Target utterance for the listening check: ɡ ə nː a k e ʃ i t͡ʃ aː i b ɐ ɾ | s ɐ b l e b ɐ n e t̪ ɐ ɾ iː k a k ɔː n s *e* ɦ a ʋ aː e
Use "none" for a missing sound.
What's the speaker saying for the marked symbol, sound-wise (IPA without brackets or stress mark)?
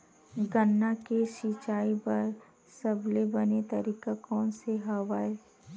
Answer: e